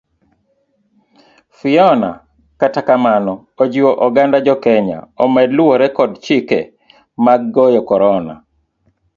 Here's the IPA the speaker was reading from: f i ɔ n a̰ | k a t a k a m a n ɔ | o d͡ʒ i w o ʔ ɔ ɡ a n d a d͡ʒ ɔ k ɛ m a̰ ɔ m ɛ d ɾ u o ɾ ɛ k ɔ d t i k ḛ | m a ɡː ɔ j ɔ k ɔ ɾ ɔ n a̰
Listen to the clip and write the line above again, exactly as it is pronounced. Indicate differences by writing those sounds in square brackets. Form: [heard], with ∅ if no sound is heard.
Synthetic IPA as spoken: f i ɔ n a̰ | k a t a k a m a n ɔ | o d͡ʒ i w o ʔ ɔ ɡ a n d a d͡ʒ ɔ k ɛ [ɲ] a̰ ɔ m ɛ d [l] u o ɾ ɛ k ɔ d [t͡ʃ] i k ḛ | m a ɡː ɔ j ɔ k ɔ ɾ ɔ n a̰